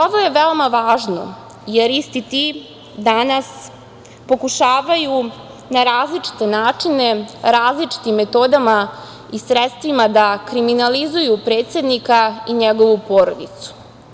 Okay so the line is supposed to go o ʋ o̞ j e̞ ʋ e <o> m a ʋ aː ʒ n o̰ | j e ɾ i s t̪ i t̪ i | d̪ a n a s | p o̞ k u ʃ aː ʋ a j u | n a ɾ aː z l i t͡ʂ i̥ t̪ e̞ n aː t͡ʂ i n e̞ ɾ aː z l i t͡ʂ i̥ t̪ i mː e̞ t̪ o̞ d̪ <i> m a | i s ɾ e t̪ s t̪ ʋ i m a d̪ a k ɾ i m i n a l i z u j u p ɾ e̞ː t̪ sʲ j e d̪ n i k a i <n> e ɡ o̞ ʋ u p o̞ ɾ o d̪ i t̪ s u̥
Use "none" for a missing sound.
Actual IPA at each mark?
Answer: o, a, ɲ

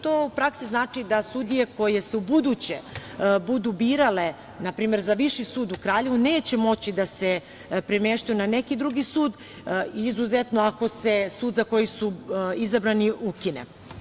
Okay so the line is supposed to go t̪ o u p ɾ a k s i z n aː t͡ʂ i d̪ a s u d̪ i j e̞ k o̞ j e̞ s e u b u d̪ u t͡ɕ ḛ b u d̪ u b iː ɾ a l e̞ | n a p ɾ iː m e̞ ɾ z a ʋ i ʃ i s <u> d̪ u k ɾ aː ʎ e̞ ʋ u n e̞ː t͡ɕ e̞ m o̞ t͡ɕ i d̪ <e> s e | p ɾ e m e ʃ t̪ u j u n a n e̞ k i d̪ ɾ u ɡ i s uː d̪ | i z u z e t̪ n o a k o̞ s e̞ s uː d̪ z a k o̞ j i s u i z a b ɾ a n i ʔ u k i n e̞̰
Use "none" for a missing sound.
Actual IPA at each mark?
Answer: uː, a

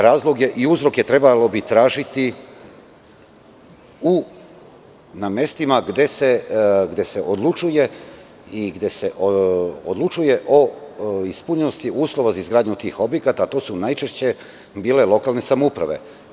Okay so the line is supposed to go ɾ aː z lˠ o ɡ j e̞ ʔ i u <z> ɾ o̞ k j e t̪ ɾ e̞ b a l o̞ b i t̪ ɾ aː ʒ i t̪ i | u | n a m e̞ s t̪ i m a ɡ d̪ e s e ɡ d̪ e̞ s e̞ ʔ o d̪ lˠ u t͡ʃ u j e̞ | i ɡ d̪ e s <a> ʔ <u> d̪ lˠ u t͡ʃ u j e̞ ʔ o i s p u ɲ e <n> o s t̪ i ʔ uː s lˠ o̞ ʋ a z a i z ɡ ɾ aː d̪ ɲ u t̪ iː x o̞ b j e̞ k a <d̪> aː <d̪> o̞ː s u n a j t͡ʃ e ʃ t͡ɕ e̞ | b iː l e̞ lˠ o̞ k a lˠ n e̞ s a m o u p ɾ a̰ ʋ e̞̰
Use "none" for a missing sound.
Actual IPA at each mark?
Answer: z, e, o, n, t̪, t̪

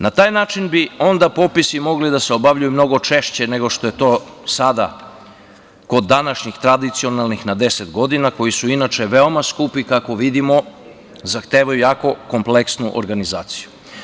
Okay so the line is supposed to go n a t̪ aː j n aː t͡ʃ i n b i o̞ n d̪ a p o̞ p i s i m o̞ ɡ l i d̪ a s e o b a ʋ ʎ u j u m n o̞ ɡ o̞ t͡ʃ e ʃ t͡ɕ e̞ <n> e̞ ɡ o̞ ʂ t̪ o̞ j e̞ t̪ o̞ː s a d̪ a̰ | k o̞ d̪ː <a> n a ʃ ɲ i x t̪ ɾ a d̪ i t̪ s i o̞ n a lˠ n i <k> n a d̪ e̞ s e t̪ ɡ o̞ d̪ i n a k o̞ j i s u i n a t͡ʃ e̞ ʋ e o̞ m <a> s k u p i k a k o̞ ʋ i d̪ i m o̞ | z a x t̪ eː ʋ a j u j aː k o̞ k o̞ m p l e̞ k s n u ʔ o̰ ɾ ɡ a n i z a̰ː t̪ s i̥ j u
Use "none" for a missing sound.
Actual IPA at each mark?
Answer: n, a, x, a

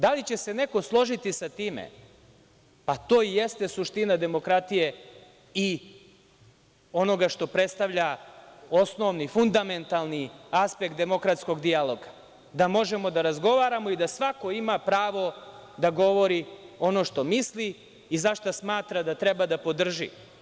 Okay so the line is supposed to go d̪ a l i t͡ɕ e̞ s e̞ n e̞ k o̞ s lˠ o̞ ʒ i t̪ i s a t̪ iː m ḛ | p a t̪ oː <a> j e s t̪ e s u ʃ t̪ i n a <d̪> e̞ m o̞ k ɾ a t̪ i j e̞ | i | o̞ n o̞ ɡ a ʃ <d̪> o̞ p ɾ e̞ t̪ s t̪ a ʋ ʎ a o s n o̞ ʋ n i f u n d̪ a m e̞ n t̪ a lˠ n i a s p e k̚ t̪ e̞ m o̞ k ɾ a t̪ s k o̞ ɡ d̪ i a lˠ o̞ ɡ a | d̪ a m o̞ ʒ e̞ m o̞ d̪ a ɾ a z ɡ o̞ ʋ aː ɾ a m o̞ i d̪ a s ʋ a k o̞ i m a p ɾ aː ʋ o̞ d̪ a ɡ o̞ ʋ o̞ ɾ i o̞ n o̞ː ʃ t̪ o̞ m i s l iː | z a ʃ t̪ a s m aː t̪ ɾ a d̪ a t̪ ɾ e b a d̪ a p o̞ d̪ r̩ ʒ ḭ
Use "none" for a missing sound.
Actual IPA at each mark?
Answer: i, d̪, t̪

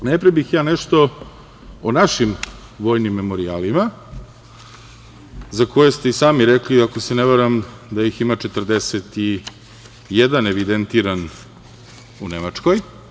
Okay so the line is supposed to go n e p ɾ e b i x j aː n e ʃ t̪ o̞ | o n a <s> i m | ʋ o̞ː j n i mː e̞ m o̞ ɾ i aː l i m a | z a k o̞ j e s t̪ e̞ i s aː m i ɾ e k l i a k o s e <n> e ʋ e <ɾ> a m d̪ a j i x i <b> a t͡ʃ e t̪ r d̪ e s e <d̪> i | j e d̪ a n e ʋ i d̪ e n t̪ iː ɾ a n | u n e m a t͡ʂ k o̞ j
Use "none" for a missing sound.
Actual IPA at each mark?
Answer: ʃ, n, ɾ, m, t̪

